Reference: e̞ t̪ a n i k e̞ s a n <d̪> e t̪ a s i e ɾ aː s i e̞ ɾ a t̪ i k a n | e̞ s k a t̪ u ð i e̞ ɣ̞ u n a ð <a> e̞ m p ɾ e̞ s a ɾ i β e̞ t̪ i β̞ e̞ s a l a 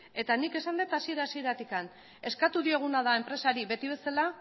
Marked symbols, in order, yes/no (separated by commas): yes, yes